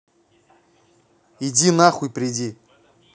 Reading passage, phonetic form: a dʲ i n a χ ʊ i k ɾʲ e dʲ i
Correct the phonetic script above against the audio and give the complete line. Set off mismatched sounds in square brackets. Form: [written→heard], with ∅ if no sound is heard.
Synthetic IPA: [a→i] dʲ i n a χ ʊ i [k→p] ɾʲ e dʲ i